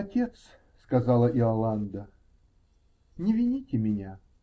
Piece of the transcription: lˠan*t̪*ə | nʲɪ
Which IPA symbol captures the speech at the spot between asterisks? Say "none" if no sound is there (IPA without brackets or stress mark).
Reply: d̪